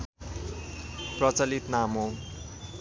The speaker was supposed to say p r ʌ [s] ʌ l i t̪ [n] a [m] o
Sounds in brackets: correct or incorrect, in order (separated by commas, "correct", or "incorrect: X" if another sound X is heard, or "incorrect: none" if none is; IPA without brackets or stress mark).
incorrect: t͡s, correct, correct